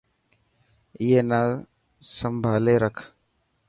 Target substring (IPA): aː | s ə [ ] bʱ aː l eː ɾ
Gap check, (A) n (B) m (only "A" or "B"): B